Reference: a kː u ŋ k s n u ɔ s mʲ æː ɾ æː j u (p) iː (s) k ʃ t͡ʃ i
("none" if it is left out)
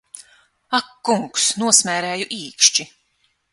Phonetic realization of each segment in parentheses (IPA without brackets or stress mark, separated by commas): ʔ, none